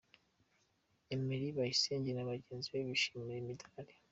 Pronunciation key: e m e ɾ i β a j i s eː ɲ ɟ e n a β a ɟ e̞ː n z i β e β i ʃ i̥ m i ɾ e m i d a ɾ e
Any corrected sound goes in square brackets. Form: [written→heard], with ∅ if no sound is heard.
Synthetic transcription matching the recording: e m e ɾ i β a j i s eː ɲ ɟ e n a β a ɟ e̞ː n z i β e β i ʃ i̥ m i ɾ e m i d a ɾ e